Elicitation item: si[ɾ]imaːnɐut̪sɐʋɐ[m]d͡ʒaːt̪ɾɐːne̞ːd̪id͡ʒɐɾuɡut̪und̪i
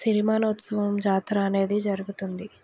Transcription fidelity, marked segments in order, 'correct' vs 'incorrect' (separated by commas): correct, correct